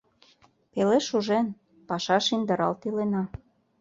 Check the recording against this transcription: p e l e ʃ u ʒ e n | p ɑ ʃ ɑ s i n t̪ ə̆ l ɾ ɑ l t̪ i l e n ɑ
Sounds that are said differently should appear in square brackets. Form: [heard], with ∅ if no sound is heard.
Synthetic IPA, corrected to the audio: p e l e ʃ u ʒ e n | p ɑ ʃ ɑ [ʃ] i n [d̪] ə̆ [∅] ɾ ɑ l t̪ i l e n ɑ